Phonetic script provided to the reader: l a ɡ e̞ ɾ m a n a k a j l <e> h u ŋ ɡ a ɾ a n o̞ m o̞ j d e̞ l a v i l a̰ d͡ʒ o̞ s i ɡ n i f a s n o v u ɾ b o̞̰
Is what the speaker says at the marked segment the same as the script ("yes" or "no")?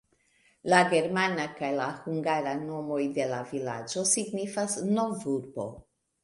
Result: no